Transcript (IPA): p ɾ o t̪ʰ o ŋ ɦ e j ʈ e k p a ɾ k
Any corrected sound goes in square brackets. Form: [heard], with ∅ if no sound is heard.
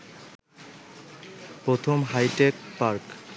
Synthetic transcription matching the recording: p ɾ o t̪ʰ o [m] ɦ [a] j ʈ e k p a ɾ k